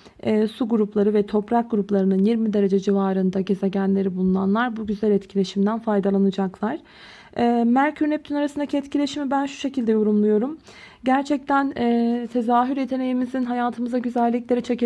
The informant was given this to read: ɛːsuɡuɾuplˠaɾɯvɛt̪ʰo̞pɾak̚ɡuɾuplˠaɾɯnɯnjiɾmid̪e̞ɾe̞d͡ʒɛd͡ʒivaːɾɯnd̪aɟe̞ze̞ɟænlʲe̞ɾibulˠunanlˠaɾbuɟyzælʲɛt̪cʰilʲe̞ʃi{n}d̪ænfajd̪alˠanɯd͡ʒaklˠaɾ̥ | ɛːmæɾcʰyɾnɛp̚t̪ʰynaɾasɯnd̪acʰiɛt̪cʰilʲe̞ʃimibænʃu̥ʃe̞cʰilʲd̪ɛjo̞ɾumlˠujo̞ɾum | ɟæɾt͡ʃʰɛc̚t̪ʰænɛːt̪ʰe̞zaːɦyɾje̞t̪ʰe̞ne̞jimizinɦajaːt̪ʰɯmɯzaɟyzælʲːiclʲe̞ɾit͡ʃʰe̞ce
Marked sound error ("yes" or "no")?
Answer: yes